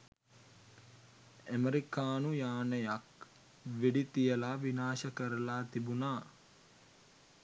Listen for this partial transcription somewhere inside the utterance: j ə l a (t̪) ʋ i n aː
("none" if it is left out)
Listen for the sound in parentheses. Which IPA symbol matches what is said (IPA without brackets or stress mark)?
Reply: none